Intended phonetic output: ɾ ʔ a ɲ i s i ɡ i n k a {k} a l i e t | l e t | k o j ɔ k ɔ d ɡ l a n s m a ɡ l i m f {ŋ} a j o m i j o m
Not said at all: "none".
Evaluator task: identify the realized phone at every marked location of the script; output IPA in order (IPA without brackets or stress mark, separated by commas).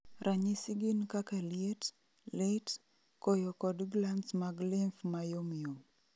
k, m